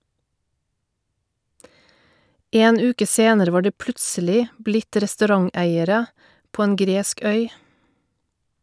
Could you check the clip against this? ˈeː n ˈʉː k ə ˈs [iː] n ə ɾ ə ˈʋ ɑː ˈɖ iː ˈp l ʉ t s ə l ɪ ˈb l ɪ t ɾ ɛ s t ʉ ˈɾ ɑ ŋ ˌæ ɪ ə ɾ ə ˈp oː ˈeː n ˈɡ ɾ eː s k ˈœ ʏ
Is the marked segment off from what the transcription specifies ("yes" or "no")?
yes